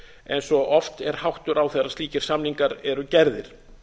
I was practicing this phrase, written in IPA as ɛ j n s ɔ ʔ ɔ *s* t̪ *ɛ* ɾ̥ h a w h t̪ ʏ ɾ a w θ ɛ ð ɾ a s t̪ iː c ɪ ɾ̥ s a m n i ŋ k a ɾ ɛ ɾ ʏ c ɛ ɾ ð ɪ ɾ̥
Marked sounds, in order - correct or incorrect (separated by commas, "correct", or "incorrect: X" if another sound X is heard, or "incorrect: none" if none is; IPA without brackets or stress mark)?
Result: incorrect: f, correct